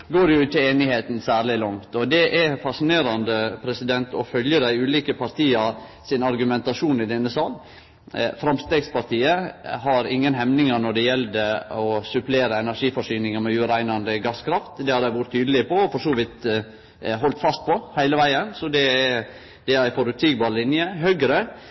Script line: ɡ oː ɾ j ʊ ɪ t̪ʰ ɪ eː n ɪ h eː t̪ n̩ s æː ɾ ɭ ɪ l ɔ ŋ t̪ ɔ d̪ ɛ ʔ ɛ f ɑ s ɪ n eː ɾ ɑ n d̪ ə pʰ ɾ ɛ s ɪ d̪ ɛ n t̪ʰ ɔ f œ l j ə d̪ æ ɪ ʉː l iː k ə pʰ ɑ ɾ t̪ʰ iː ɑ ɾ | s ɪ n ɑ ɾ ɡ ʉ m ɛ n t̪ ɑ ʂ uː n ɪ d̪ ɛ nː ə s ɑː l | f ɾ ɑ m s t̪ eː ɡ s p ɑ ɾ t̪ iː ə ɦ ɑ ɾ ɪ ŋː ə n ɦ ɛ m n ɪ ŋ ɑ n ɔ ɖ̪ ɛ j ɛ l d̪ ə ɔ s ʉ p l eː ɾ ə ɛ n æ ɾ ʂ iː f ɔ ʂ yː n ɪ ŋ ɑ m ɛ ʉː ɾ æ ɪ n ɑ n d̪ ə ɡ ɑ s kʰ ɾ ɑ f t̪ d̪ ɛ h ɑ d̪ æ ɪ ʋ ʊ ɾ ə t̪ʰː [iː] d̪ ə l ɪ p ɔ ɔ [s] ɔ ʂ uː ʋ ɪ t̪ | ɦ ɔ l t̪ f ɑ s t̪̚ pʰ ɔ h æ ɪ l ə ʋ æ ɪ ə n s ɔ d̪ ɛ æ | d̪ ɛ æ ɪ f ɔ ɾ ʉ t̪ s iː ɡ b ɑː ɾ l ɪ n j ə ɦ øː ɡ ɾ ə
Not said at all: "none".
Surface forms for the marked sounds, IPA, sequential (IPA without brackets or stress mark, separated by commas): yː, f